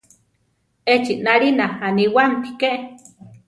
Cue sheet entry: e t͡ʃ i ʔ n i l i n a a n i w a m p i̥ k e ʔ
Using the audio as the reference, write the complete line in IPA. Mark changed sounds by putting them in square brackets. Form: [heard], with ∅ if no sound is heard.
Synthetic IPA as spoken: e t͡ʃ i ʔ n [a] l i n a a n i w a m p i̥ k e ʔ